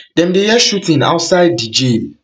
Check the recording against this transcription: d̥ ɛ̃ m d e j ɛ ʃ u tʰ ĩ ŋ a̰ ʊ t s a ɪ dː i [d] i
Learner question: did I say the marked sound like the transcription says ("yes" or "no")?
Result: no